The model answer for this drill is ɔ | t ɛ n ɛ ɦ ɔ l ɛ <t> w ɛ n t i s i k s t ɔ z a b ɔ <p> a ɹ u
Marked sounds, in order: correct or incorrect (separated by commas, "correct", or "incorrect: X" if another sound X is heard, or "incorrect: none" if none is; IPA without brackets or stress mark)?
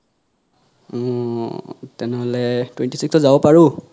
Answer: correct, correct